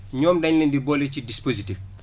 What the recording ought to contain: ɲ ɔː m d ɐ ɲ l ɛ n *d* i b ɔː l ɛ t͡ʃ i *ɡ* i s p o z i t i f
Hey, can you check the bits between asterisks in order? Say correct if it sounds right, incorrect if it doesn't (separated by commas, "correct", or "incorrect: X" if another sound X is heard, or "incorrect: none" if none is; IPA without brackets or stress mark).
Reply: correct, incorrect: d